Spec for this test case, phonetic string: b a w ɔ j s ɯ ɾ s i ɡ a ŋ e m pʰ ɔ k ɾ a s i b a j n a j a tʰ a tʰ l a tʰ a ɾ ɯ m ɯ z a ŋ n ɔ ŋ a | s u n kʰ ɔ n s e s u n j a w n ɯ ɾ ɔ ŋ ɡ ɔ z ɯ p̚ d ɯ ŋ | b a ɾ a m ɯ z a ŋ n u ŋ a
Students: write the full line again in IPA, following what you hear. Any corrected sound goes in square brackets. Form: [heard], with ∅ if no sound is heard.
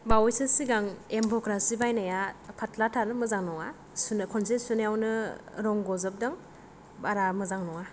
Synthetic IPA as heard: b a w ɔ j s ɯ [∅] s i ɡ a ŋ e m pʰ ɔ k ɾ a s i b a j n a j a [pʰ] a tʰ l a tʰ a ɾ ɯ m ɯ z a ŋ n ɔ ŋ a | s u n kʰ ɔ n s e s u n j a w n ɯ ɾ ɔ ŋ ɡ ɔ z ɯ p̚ d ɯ ŋ | b a ɾ a m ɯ z a ŋ n [ɔ] ŋ a